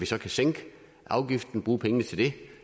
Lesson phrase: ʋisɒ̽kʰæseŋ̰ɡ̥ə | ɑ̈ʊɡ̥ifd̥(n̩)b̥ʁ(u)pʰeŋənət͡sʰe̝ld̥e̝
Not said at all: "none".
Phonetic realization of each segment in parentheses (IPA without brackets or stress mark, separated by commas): n̩, uː